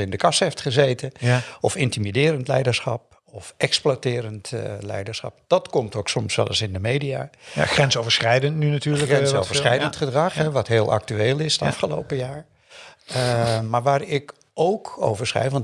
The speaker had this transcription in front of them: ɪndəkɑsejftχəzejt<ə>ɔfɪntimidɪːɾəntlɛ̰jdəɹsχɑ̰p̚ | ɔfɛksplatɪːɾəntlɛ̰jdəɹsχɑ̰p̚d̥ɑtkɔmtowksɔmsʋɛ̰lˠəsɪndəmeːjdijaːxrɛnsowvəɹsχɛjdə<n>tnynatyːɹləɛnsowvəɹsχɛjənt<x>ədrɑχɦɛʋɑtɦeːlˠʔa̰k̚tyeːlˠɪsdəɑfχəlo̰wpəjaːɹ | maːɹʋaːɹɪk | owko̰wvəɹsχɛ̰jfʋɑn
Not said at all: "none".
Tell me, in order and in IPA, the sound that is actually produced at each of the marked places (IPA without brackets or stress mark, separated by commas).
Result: ə, n, χ